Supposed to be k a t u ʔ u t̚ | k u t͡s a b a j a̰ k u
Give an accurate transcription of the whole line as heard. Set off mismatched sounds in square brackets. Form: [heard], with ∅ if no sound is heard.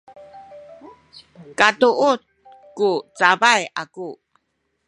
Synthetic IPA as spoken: k a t u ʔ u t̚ | k u t͡s a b a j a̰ k u